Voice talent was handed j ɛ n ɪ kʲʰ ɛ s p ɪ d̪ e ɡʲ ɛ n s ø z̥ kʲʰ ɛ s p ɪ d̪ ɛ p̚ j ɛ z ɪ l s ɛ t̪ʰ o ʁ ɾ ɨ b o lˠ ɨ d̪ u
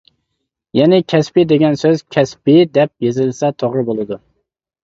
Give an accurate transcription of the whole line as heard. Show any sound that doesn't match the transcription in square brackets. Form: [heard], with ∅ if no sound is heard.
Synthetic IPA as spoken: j ɛ n ɪ kʲʰ ɛ s p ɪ d̪ e ɡʲ ɛ n s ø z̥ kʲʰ ɛ s p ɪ d̪ ɛ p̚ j [e] z ɪ l s ɛ t̪ʰ o ʁ ɾ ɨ b o lˠ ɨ d̪ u